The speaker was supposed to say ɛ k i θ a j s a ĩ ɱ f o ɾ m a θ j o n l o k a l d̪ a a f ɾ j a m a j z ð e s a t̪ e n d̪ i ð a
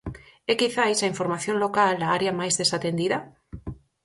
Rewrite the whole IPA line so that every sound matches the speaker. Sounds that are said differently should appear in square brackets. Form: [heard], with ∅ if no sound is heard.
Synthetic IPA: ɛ k i θ a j s a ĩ ɱ f o ɾ m a θ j o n l o k a l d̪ a a [∅] ɾ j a m a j z ð e s a t̪ e n d̪ i ð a